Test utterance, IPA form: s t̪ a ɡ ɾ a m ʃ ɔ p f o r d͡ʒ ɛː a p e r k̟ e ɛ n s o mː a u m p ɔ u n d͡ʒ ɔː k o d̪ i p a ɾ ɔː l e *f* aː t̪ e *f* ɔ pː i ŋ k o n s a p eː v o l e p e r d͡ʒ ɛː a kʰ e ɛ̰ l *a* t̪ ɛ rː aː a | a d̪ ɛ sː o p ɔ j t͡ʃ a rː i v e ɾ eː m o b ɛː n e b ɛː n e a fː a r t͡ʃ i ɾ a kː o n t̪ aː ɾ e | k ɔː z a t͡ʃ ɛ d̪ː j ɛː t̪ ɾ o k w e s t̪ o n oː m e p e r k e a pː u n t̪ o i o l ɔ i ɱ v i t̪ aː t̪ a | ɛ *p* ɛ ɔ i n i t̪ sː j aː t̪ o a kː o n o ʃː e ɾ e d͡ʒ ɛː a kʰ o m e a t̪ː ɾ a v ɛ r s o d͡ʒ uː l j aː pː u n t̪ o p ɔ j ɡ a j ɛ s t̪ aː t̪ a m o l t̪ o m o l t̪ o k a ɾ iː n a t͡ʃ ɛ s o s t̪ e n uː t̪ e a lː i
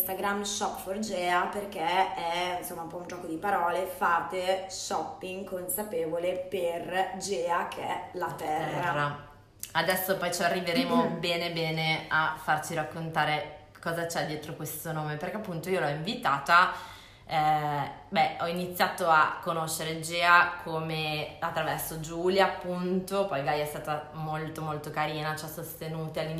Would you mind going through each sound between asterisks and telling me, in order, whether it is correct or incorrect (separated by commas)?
correct, incorrect, correct, incorrect